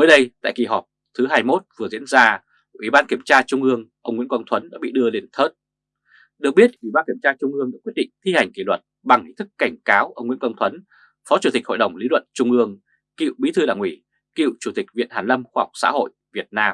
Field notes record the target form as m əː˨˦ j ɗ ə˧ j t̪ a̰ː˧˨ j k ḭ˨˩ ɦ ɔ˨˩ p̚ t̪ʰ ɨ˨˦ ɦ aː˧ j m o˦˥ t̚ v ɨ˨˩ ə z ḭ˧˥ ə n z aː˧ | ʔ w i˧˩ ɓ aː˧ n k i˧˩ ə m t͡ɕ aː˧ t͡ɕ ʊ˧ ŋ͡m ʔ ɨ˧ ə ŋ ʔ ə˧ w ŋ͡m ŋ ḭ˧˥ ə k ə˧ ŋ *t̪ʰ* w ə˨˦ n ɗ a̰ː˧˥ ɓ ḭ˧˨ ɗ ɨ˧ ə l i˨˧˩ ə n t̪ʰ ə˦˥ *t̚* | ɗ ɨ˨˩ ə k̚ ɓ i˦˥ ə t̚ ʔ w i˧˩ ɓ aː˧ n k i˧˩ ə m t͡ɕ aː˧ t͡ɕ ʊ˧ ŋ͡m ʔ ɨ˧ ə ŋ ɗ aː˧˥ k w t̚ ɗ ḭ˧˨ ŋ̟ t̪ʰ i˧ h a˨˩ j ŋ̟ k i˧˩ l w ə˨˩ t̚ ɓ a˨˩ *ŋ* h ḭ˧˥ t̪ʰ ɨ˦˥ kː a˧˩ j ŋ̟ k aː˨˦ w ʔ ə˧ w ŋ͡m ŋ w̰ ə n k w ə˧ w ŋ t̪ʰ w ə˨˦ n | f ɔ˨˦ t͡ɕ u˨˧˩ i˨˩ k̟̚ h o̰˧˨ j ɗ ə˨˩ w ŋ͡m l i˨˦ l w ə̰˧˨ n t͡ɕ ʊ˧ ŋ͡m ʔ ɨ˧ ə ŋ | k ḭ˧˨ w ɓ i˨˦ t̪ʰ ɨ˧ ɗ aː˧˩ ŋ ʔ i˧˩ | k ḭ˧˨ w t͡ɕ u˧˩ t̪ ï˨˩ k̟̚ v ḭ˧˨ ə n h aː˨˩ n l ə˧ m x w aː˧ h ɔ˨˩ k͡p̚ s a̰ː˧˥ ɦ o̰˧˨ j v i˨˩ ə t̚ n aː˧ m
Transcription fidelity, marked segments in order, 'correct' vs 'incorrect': correct, correct, correct

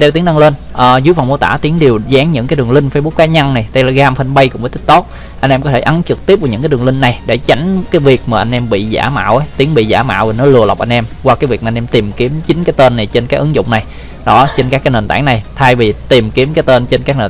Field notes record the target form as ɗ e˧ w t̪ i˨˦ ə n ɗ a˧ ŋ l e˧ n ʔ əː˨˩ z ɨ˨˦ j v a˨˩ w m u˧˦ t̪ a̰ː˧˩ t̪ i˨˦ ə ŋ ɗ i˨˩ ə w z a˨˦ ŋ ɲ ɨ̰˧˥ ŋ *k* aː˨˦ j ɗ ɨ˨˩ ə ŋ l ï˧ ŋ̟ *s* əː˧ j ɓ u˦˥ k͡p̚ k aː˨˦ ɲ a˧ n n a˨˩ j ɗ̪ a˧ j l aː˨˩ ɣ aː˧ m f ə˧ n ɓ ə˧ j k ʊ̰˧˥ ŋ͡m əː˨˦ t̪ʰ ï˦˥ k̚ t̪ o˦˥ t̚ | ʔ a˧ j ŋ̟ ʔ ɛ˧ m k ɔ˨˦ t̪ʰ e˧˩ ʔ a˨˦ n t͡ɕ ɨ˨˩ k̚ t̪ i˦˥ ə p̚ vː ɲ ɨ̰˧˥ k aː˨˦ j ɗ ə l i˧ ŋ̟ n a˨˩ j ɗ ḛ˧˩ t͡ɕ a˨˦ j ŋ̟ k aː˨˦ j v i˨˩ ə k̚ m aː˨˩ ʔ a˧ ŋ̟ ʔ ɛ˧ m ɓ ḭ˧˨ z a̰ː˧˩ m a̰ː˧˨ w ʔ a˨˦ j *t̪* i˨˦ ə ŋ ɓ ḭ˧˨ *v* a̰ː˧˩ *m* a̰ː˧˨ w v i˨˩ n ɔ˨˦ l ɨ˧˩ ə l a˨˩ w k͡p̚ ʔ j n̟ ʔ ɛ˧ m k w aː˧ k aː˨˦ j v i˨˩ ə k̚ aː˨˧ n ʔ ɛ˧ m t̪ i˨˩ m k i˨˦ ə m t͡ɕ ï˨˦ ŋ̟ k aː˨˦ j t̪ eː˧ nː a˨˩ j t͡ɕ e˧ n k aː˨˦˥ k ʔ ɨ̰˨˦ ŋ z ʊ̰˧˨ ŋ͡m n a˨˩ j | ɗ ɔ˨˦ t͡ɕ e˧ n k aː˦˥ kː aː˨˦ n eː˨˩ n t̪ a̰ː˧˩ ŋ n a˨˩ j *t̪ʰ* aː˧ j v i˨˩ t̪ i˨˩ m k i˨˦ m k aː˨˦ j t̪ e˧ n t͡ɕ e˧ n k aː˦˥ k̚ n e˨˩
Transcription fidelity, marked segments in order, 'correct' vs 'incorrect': correct, incorrect: f, correct, incorrect: z, correct, correct

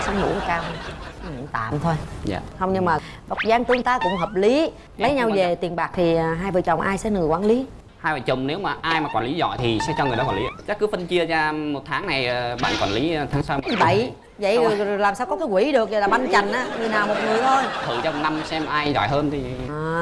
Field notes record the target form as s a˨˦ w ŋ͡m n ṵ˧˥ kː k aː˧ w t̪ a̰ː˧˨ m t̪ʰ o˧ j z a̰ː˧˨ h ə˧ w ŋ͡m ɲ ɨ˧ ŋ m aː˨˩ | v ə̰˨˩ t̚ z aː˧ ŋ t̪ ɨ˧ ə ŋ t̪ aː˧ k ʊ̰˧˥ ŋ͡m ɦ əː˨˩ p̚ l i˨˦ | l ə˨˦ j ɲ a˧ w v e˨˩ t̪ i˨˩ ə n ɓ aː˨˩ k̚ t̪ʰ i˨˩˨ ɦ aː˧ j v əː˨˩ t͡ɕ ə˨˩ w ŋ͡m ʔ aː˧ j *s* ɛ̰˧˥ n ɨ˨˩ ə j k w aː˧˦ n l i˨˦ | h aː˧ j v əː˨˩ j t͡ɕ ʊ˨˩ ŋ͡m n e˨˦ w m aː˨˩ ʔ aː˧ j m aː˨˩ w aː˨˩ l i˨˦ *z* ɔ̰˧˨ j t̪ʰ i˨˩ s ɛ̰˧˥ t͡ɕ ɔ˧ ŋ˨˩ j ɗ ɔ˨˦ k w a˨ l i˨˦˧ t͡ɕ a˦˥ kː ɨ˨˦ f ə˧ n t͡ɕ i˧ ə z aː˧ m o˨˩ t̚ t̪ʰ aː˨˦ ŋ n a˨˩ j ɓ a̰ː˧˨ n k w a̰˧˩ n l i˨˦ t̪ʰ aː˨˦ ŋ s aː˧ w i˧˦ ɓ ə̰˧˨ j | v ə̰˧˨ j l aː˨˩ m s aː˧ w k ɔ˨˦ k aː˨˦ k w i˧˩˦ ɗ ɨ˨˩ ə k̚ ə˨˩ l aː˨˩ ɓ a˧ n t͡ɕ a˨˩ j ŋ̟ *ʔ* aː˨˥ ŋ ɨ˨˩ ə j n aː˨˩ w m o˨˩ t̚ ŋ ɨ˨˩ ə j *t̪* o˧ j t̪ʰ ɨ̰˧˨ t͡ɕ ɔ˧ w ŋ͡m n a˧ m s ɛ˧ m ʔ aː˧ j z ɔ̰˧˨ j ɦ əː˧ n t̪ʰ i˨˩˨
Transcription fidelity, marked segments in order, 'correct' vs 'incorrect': correct, correct, correct, incorrect: t̪ʰ

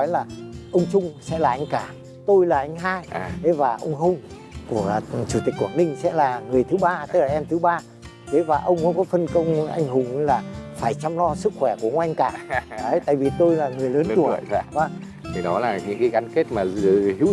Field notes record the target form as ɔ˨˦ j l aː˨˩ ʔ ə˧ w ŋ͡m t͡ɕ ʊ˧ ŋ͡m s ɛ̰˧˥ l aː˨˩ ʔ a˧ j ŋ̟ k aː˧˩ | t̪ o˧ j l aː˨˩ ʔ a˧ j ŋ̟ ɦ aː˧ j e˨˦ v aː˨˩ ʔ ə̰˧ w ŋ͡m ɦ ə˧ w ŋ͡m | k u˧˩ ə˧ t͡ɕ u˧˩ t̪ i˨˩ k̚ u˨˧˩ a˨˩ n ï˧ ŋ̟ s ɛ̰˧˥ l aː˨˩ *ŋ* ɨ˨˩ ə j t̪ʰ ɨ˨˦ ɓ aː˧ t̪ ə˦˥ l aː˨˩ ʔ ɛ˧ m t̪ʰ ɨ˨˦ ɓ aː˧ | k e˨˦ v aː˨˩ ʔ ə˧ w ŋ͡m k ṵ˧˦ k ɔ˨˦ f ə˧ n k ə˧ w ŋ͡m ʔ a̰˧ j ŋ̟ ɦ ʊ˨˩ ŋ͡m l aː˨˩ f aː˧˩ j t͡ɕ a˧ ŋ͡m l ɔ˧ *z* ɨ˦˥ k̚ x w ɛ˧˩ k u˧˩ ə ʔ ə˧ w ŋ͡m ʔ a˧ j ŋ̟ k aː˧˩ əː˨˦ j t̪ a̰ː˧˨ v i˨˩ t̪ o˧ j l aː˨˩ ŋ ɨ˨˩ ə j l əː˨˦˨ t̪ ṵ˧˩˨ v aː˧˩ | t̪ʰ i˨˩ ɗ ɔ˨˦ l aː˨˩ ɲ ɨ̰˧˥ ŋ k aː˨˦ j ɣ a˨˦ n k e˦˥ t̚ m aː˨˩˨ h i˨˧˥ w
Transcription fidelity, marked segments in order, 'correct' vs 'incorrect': correct, incorrect: s

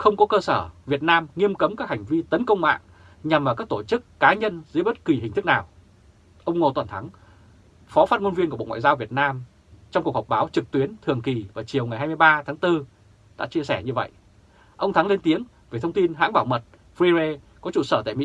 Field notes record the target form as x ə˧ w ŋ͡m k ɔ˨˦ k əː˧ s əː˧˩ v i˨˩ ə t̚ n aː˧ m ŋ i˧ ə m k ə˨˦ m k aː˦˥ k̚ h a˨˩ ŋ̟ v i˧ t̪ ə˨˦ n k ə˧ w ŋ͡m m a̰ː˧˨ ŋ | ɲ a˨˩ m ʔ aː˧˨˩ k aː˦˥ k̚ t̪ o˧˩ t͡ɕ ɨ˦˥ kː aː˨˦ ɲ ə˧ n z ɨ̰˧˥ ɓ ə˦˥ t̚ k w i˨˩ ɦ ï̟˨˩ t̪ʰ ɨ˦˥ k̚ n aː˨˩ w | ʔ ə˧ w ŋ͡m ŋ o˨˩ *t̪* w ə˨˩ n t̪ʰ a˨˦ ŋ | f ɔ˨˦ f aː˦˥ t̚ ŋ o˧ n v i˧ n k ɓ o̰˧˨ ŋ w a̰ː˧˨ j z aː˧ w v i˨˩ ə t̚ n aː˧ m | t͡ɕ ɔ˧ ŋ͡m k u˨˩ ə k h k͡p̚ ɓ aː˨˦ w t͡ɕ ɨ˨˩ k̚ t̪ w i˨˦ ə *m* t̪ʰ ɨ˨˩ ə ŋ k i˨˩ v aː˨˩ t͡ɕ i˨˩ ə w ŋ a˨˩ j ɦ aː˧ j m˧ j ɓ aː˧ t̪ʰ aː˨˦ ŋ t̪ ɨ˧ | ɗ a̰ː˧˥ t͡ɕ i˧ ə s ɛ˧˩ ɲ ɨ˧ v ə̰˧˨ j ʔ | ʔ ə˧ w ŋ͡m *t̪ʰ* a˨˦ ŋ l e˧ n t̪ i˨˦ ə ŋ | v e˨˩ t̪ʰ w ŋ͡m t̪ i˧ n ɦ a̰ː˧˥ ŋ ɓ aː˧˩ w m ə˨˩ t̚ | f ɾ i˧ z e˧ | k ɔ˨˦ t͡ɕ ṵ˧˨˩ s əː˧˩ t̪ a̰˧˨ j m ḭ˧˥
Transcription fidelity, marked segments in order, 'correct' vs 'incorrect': correct, incorrect: n, correct

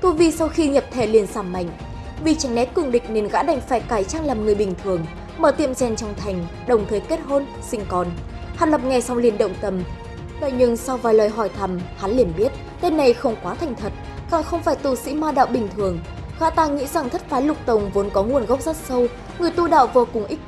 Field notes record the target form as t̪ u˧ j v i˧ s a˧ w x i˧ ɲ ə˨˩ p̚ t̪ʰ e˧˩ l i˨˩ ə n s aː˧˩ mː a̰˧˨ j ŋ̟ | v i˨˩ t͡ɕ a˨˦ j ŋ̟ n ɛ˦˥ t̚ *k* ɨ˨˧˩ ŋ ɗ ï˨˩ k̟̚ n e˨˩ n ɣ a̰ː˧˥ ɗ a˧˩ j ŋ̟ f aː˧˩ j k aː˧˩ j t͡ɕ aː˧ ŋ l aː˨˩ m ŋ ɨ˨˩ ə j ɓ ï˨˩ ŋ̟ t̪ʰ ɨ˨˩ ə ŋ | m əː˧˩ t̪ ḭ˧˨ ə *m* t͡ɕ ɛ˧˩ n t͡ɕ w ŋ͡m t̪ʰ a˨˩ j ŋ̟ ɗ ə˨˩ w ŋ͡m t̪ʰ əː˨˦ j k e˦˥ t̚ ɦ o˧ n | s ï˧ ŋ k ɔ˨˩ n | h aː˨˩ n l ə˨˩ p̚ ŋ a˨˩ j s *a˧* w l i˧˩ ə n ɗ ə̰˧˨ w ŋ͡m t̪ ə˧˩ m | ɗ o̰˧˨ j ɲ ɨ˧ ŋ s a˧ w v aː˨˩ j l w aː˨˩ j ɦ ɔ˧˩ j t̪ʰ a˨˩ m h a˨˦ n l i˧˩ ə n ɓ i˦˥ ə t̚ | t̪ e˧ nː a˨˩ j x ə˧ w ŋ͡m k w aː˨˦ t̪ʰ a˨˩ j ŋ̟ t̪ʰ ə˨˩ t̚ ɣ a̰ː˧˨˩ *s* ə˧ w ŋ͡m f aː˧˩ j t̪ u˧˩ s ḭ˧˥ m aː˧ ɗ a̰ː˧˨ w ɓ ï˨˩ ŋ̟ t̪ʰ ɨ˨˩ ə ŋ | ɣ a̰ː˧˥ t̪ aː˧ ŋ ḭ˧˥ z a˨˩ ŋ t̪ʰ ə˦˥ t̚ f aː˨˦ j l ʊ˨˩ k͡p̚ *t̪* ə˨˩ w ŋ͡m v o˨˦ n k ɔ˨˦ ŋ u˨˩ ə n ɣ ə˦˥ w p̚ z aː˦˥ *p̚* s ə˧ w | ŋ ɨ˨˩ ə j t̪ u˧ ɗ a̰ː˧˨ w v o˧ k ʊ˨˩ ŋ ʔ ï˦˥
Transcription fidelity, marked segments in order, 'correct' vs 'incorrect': correct, correct, correct, incorrect: x, correct, incorrect: t̚

